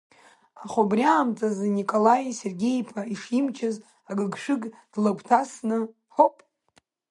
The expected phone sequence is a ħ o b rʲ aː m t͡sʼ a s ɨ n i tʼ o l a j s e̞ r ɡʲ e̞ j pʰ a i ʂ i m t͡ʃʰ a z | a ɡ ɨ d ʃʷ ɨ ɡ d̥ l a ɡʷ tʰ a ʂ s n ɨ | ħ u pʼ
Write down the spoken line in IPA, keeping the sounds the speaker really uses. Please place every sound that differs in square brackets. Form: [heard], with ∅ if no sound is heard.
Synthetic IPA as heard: a [χ] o b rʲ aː m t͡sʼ a [z] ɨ n i [kʼ] o l a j s e̞ r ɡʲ e̞ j pʰ a i ʂ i m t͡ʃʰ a z | a ɡ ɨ [ɡ] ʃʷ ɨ ɡ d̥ l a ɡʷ tʰ a [∅] s n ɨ | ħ [o] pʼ